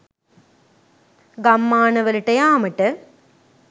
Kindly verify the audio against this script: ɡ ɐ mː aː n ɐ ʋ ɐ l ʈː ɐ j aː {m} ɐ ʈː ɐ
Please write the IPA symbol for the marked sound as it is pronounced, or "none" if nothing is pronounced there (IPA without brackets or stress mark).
m